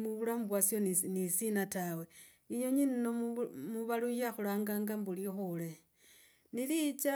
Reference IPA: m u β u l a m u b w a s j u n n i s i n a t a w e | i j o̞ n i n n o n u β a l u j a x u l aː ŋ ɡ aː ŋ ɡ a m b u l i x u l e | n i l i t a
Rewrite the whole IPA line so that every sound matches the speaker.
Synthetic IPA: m u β u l a m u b w a s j o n n i s i n a t a w e | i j o̞ ɲ i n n o m u β a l u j a x u l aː ŋ ɡ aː ŋ ɡ a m b u l i x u l e | n i l i t͡ʃ a